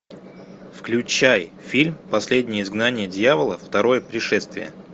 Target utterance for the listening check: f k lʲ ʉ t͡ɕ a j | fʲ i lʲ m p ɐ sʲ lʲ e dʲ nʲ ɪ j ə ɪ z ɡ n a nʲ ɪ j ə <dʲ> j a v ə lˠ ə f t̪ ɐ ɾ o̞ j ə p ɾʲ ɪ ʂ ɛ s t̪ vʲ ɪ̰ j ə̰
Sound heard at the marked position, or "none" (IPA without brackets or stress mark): dʲ